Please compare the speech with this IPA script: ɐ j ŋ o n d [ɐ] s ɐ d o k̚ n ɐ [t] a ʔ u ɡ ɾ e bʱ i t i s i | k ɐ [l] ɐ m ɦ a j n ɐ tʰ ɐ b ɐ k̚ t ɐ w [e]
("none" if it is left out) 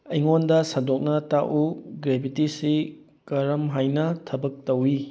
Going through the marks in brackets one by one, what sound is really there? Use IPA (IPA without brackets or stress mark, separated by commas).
ɐ, t, ɾ, i